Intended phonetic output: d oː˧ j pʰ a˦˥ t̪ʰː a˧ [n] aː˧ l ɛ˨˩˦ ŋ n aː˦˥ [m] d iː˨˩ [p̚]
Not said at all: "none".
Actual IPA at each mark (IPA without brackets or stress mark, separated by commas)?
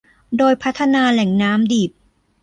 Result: n, m, p̚